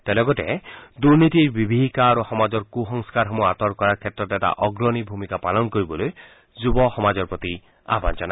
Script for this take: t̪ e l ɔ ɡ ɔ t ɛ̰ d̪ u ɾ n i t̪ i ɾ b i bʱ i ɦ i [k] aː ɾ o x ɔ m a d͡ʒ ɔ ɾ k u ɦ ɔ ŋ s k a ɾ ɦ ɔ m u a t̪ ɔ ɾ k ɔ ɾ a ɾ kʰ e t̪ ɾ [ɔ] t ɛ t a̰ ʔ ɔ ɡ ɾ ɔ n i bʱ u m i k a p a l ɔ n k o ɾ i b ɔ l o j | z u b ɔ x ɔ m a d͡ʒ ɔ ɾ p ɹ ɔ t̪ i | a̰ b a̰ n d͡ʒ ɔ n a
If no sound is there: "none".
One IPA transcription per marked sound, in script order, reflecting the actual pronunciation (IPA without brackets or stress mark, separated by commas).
k, ɔ